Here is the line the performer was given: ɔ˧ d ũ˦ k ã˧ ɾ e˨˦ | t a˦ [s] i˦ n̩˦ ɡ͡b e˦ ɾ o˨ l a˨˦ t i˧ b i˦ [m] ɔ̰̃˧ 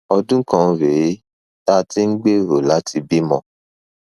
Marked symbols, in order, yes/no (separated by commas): no, yes